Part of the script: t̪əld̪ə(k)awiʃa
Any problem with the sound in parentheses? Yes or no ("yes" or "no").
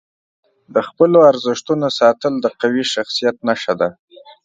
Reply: yes